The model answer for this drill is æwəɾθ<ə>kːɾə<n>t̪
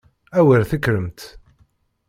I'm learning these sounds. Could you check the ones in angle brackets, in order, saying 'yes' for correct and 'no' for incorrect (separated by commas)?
yes, no